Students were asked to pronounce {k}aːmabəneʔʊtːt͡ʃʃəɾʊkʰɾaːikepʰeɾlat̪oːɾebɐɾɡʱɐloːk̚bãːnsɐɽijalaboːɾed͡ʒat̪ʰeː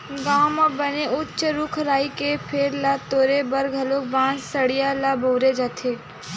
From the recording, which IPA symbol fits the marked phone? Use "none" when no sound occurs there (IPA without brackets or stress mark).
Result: ɡ